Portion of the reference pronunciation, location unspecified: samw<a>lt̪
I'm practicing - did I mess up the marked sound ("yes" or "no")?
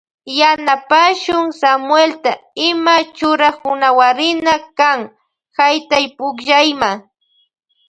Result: yes